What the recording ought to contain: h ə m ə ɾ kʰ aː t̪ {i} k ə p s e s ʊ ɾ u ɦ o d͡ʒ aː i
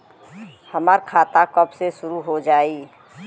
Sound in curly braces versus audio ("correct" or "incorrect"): incorrect